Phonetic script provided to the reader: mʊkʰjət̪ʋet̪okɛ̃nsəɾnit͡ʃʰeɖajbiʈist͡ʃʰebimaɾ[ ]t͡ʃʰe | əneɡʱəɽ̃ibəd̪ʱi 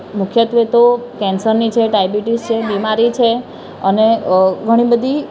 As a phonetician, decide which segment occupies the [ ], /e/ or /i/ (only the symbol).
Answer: i